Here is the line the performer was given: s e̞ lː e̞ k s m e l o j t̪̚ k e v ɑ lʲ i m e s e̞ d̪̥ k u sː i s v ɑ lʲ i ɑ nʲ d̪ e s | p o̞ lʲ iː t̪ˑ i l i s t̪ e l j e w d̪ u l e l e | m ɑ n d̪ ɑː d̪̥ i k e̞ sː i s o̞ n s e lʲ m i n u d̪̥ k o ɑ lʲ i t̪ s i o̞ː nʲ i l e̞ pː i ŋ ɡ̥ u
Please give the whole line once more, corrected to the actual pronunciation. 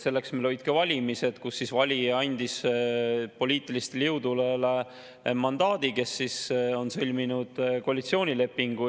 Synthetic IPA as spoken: s e̞ lː e̞ k s m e l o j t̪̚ k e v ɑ lʲ i m i s e̞ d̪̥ k u sː i s v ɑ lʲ i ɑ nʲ d̪ i s | p o̞ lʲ iː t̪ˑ i l i s t̪ e l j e w d̪ u l e l e | m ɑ n d̪ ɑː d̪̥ i k e̞ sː i s o̞ n s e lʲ m i n u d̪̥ k o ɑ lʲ i t̪ s i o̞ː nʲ i l e̞ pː i ŋ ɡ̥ u